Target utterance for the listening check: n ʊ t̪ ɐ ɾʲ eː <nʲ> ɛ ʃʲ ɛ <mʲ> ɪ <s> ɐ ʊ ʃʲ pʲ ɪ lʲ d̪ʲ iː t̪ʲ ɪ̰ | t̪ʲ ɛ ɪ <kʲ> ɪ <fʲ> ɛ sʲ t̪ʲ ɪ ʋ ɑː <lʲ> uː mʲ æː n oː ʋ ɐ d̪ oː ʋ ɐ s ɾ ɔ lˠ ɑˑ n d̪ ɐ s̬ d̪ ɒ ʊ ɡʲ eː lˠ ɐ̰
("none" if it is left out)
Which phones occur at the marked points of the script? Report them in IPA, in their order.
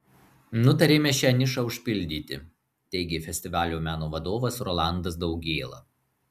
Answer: mʲ, nʲ, ʃ, ɡʲ, fʲ, lʲ

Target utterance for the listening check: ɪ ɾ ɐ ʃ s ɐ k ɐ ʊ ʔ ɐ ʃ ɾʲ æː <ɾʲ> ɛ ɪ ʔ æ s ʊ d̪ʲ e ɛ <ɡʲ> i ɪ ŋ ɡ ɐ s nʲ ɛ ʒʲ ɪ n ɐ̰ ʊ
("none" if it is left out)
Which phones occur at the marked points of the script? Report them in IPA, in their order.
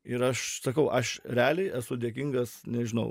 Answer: lʲ, kʲ

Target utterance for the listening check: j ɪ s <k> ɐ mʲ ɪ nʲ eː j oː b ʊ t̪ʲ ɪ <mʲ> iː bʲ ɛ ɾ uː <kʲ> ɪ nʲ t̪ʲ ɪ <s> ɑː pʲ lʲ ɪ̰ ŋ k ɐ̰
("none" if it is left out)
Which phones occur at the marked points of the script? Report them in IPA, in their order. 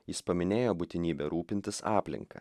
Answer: p, nʲ, pʲ, s

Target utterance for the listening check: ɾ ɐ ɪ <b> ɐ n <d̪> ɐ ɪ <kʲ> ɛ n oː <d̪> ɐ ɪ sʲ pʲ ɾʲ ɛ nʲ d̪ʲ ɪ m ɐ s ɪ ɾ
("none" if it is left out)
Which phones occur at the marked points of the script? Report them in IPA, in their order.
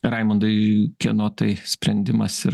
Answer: m, d̪, kʲ, t̪

